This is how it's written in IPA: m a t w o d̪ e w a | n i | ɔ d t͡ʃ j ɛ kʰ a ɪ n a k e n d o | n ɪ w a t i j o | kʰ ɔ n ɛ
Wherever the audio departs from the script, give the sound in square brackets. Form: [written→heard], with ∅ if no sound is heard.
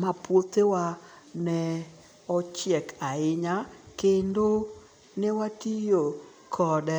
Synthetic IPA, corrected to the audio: m a [t→p] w o [d̪→t̪] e w a | n [i→ɛ] | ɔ [d→∅] t͡ʃ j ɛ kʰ a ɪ [n→ɲ] a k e n d o | n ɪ w a t i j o | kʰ ɔ [n→d] ɛ